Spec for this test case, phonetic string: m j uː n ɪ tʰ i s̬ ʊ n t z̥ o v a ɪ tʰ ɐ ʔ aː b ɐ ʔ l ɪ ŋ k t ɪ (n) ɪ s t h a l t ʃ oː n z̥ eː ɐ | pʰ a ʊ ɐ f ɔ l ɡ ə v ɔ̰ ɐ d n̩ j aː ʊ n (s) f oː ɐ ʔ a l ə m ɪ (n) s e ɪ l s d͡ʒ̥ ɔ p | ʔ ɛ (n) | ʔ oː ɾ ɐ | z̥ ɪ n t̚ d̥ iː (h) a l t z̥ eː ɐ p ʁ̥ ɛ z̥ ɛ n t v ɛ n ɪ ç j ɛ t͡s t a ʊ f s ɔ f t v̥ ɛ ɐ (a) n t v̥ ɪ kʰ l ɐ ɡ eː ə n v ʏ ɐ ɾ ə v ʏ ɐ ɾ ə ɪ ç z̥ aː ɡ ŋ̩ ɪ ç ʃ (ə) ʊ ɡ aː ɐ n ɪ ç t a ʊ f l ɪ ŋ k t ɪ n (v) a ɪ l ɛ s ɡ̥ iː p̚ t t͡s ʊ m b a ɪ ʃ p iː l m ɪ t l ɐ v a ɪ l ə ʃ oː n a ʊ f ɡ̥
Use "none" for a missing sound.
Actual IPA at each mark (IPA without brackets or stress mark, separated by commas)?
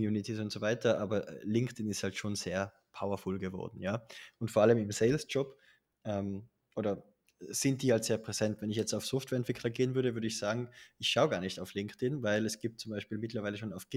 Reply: n, t, m, m, h, ɛ, a, v